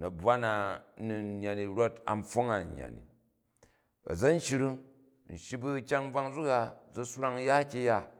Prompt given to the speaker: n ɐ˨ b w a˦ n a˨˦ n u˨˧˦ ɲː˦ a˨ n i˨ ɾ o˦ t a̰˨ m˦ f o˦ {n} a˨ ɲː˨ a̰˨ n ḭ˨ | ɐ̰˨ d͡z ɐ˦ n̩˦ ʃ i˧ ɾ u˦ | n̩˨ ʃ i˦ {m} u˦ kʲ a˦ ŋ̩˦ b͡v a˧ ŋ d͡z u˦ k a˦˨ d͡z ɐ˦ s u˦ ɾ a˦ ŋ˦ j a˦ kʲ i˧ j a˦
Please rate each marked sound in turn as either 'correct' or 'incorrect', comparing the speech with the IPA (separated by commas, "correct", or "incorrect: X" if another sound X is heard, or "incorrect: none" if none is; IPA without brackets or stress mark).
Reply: incorrect: ŋ, incorrect: b